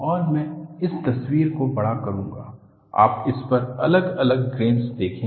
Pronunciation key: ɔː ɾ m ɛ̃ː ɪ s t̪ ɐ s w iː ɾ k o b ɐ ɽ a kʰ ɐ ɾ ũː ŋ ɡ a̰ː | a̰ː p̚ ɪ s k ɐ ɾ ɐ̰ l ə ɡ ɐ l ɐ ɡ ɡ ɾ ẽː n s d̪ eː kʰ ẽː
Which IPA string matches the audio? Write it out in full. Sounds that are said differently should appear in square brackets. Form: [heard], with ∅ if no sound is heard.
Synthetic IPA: ɔː ɾ m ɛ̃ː ɪ s t̪ ɐ s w iː ɾ k o b ɐ ɽ a [k] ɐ ɾ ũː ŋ ɡ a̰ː | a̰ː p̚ ɪ s [p] ɐ ɾ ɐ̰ l ə ɡ ɐ l [ə] ɡ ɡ ɾ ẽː n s d̪ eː kʰ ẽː